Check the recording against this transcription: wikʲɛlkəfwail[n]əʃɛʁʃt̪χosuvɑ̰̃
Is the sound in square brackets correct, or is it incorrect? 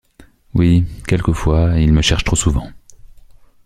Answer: incorrect